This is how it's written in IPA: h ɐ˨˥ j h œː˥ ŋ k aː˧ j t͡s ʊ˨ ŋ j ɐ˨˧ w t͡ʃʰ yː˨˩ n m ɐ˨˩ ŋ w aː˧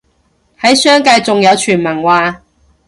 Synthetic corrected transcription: h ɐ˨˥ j s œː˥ ŋ k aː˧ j t͡s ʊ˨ ŋ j ɐ˨˧ w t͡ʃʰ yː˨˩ n m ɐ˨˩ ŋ w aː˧